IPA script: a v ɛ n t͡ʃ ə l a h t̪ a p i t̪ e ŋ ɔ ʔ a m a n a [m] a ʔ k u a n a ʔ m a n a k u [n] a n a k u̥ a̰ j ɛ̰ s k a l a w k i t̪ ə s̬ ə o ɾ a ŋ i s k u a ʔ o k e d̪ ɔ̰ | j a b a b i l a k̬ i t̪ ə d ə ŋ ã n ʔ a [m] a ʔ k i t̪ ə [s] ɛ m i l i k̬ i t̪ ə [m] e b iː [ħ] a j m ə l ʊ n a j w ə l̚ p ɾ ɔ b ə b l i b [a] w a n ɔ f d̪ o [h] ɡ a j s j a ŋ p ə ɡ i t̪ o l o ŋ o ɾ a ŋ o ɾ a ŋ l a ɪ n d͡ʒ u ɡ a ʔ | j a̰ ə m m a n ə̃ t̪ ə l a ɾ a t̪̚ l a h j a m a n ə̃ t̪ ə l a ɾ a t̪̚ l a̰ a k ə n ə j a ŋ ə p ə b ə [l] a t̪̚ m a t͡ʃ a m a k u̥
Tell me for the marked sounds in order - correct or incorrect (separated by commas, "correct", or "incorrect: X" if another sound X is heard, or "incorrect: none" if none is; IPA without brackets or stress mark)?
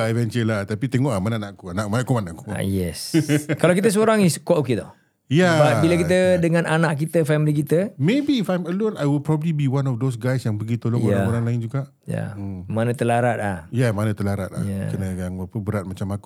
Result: incorrect: n, incorrect: m, incorrect: n, incorrect: f, correct, incorrect: f, incorrect: i, incorrect: s, incorrect: ɾ